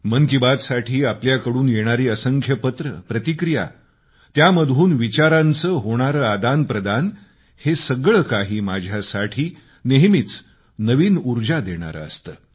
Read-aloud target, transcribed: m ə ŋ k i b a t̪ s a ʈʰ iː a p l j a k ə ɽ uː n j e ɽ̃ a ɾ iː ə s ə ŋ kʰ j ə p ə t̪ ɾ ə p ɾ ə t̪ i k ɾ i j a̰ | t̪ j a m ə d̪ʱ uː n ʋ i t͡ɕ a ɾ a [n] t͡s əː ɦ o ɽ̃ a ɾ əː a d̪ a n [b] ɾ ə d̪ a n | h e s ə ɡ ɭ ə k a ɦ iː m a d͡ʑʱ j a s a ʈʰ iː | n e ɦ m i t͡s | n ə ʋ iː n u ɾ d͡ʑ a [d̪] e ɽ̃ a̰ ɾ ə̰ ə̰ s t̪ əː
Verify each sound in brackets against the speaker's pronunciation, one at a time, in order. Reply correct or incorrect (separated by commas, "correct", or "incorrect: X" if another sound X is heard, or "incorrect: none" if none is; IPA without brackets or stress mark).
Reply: correct, incorrect: p, correct